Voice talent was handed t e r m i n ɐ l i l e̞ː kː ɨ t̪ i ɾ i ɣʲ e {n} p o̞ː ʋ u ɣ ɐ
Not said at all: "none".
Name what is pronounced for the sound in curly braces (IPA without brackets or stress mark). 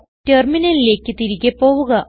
none